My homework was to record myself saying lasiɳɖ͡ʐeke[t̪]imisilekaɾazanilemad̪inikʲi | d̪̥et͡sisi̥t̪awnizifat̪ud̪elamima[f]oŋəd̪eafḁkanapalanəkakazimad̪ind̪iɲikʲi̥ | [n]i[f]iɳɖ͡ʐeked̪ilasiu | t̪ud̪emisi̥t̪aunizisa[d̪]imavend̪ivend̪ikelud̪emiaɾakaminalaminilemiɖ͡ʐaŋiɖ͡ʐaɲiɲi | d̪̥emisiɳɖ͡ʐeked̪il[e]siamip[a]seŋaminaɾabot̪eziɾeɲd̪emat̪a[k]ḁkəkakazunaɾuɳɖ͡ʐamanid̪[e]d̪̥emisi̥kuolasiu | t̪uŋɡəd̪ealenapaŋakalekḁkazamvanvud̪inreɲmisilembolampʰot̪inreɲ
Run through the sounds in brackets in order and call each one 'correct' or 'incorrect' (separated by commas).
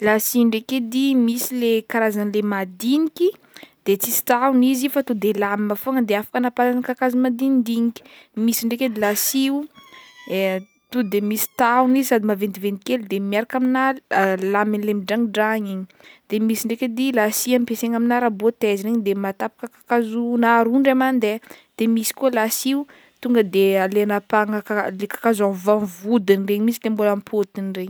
incorrect, correct, incorrect, incorrect, correct, incorrect, incorrect, incorrect, correct